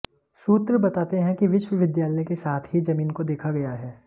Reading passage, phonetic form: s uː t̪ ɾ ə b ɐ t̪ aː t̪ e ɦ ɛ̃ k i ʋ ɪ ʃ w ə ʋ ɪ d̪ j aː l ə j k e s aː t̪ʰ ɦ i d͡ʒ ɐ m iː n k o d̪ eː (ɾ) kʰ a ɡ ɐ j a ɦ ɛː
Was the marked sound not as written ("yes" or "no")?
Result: yes